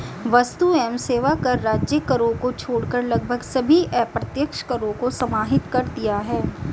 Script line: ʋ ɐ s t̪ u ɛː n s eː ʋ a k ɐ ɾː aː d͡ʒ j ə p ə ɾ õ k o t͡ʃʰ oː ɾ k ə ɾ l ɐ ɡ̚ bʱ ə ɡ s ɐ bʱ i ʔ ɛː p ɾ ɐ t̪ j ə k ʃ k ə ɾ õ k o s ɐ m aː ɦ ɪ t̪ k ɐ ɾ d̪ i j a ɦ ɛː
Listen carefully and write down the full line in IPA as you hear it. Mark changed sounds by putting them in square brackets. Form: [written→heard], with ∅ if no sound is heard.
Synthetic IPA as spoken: ʋ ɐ s t̪ u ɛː [n→m] s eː ʋ a k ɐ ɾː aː d͡ʒ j ə [p→k] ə ɾ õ k o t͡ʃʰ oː [ɾ→ɽ] k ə ɾ l ɐ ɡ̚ bʱ ə ɡ s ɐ bʱ i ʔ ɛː p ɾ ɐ t̪ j ə k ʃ k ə ɾ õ k o s ɐ m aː ɦ ɪ t̪ k ɐ ɾ d̪ i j a ɦ ɛː